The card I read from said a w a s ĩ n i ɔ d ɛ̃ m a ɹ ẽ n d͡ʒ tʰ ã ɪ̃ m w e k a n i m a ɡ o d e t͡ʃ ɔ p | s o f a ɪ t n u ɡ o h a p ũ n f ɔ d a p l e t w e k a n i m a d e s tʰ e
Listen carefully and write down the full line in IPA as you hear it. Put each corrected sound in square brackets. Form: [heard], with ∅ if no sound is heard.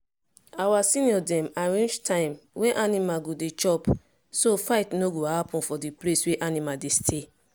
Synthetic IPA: a w a s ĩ n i ɔ d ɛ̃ m a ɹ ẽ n d͡ʒ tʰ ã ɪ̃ m w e [ʔ] a n i m a ɡ o d e t͡ʃ ɔ p | s o f a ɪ t n [o] ɡ o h a p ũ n f ɔ d [i] p l e [s] w e [ʔ] a n i m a d e s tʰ e